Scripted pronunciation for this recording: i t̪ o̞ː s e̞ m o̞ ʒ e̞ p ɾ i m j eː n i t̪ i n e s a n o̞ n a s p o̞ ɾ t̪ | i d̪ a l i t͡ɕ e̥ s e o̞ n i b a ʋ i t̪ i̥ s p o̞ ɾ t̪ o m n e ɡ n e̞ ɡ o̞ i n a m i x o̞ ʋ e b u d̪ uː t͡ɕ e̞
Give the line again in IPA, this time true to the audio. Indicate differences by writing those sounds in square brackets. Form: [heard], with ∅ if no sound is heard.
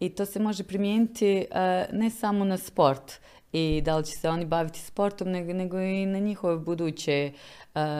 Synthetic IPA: i t̪ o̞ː s e̞ m o̞ ʒ e̞ p ɾ i m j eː n i t̪ i n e s a [m] o̞ n a s p o̞ ɾ t̪ | i d̪ a l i t͡ɕ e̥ s e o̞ n i b a ʋ i t̪ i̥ s p o̞ ɾ t̪ o m n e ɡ n e̞ ɡ o̞ i n a [ɲ] i x o̞ ʋ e b u d̪ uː t͡ɕ e̞